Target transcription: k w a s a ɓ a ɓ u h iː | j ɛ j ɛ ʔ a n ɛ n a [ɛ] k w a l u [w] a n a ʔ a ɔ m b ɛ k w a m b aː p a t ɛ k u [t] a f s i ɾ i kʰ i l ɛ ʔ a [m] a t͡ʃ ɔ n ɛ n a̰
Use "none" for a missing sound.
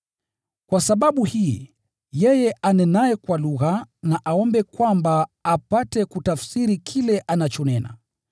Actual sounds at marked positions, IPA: ɛ, ɣ, t, n

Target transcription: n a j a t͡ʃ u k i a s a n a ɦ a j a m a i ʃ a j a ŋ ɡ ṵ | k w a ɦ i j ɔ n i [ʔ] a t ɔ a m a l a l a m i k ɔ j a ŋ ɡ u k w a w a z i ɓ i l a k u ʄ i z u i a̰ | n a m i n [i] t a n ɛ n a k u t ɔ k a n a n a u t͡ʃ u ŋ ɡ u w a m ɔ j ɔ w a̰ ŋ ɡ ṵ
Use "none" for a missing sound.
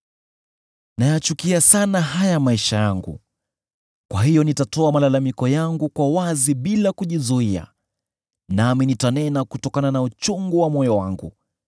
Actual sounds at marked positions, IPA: t, i

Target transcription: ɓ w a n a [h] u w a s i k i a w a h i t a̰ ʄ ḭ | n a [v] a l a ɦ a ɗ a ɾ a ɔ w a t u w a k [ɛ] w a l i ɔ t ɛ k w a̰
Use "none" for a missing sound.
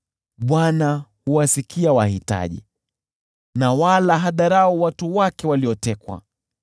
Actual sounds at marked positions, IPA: h, w, ɛ

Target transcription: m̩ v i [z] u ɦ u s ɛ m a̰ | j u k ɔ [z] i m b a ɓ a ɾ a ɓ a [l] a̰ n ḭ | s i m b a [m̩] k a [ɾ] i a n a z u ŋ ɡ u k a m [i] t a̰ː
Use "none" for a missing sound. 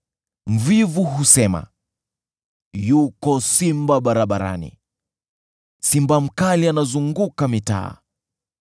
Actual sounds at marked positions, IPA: v, s, ɾ, m̩, l, i

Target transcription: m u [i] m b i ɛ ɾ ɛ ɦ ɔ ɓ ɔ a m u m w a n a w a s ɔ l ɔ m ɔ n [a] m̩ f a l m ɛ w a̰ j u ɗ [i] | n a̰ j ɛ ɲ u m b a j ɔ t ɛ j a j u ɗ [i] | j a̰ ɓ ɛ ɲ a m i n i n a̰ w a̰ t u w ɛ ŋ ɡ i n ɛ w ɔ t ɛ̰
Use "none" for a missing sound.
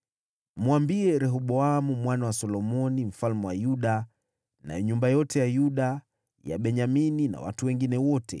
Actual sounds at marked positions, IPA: a, i, a, a

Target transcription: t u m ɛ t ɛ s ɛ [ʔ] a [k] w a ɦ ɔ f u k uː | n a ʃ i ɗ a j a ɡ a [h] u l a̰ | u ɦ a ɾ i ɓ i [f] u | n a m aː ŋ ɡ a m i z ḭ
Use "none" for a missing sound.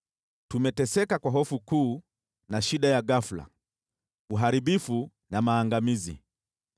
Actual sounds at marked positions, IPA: k, k, f, f

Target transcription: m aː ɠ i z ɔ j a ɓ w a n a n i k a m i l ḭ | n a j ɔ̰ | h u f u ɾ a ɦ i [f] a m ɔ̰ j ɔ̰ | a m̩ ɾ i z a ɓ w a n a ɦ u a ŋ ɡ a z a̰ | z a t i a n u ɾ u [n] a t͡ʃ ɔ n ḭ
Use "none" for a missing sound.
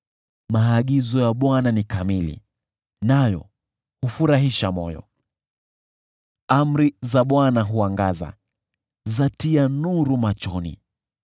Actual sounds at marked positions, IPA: ʃ, m

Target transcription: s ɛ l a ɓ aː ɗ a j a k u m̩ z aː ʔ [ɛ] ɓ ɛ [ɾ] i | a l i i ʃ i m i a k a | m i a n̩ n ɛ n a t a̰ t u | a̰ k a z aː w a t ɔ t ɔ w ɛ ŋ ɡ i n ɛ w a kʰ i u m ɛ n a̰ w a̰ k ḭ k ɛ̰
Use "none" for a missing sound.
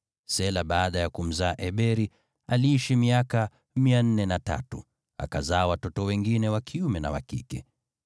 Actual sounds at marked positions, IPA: ɛ, ɾ

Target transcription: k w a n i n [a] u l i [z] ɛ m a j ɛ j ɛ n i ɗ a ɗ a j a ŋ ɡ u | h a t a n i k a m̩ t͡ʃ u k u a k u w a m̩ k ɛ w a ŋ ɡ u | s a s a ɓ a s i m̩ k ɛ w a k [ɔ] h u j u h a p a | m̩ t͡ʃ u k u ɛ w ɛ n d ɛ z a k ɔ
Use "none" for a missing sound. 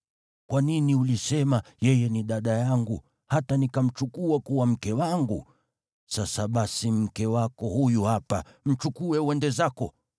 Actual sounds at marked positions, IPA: i, s, ɔ

